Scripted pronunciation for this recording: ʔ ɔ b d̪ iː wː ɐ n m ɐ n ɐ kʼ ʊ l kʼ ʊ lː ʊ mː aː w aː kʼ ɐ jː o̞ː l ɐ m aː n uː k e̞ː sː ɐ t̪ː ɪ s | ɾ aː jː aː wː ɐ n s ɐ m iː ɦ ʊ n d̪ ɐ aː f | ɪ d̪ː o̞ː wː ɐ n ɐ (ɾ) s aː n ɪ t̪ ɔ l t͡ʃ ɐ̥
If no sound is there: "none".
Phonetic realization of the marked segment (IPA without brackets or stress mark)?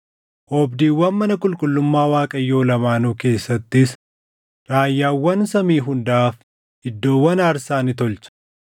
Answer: ɾ